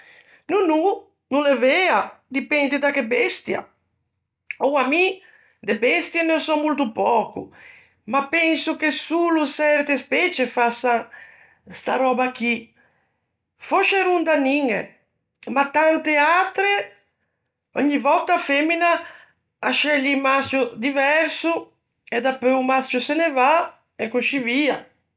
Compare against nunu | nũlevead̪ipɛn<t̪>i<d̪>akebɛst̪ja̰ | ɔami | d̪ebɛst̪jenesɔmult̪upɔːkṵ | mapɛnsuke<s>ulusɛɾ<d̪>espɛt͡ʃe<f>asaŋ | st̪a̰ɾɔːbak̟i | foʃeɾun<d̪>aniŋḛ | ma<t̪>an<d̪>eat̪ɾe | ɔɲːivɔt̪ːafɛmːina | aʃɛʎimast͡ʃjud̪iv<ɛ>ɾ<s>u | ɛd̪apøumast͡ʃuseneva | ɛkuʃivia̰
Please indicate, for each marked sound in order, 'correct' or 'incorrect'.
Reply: incorrect, correct, correct, incorrect, correct, correct, correct, incorrect, correct, correct

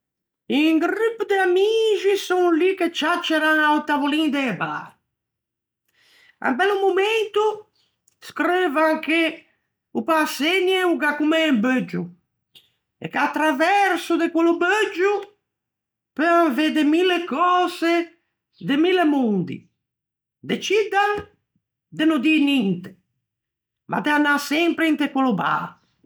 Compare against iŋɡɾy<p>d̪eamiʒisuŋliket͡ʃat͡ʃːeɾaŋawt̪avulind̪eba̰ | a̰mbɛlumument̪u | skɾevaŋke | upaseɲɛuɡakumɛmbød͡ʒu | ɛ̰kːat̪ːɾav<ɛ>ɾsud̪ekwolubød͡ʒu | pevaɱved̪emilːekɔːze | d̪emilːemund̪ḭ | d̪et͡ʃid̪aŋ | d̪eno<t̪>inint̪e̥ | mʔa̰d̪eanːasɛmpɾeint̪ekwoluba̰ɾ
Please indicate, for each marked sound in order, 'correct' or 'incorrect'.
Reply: correct, correct, incorrect

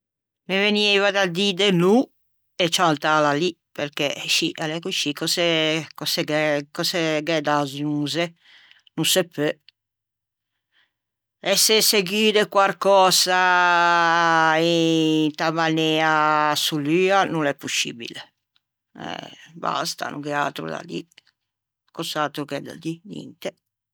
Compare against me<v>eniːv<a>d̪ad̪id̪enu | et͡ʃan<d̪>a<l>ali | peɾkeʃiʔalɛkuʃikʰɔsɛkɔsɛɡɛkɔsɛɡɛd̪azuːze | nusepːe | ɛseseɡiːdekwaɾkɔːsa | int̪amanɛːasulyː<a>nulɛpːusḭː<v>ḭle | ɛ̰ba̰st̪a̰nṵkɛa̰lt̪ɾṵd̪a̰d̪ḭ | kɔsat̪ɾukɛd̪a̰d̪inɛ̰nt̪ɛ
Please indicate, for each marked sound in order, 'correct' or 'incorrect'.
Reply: correct, correct, incorrect, correct, correct, incorrect

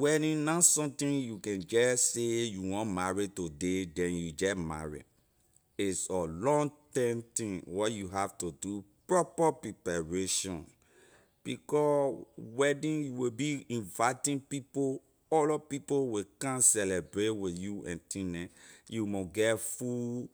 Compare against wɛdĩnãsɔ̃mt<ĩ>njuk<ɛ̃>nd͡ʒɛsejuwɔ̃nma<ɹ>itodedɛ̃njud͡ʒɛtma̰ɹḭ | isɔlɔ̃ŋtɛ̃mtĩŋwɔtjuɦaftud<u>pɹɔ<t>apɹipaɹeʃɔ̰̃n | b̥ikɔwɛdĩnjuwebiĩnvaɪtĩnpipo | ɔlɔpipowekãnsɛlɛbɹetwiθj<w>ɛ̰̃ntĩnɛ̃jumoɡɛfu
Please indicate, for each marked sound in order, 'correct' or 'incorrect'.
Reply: correct, correct, correct, correct, incorrect, incorrect

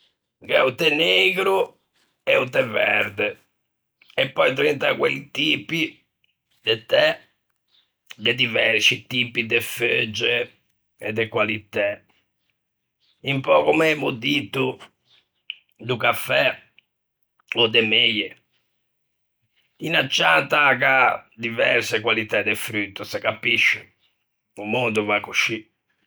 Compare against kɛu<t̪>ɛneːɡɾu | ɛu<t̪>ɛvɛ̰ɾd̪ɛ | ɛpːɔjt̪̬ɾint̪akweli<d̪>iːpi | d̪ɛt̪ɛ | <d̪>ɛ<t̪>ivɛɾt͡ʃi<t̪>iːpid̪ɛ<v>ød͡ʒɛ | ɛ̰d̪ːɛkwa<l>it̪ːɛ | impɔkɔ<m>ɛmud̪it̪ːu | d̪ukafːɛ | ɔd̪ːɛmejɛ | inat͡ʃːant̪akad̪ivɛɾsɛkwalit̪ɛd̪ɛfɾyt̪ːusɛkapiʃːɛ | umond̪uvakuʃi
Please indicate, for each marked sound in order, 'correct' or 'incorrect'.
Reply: correct, correct, incorrect, correct, incorrect, correct, incorrect, correct, correct

